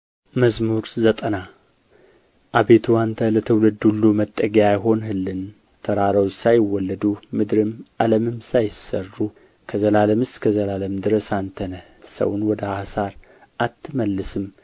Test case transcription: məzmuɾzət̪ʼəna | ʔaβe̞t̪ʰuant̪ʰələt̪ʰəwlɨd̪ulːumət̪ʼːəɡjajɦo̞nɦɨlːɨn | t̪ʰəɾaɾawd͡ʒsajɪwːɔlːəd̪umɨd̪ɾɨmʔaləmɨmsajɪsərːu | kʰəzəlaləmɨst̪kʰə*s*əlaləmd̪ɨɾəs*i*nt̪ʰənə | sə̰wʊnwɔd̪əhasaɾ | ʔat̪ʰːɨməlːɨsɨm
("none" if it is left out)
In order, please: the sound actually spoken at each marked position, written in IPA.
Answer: z, a

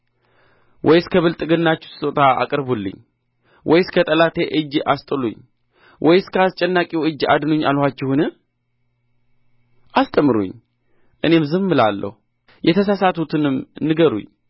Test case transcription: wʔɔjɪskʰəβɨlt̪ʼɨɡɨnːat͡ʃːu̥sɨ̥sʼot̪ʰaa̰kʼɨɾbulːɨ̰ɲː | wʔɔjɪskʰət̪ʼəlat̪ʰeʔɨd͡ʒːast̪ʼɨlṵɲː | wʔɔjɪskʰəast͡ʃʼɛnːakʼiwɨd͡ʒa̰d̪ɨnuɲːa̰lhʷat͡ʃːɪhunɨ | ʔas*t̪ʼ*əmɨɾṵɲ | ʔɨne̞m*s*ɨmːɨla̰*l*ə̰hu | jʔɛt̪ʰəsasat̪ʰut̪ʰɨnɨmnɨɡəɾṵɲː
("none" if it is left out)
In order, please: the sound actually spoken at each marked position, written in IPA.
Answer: t̪ʼ, z, lː

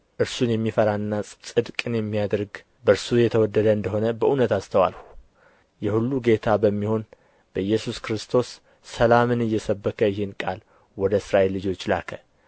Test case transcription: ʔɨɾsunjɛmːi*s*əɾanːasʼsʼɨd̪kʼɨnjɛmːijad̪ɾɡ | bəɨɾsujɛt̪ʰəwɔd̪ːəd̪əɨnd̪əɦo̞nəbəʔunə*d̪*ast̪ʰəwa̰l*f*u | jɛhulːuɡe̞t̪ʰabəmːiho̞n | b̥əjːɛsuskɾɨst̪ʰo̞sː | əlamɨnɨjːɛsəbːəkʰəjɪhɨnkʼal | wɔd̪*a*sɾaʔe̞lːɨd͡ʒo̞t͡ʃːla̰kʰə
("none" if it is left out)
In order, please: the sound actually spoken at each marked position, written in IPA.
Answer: f, t̪, h, ə

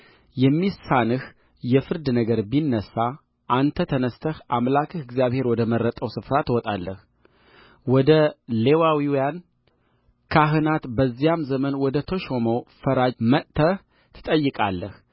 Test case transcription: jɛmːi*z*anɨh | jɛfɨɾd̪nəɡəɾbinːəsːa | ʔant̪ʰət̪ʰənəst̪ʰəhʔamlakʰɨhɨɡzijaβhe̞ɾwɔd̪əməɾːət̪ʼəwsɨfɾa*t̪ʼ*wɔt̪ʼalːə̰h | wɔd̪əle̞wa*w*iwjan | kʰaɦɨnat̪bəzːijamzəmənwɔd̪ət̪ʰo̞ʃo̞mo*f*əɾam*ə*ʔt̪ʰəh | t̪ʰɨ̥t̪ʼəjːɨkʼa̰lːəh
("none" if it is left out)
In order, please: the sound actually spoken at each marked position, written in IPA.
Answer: s, t̪, w, f, ə

